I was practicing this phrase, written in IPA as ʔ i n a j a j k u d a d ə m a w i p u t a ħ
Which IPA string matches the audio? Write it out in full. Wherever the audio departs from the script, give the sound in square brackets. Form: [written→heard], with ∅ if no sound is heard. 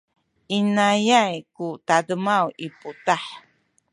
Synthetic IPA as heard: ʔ i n a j a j k u [d→t] a d ə m a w i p u t a ħ